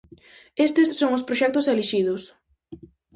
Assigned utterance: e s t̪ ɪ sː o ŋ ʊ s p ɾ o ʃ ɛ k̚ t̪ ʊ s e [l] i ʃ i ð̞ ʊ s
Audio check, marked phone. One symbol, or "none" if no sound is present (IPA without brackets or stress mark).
l